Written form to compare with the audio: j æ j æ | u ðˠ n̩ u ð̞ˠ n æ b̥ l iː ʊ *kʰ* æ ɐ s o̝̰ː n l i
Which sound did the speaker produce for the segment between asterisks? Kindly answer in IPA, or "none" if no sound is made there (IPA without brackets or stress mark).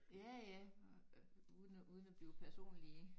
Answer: pʰ